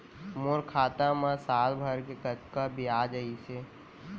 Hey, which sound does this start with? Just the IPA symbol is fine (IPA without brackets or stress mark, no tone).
m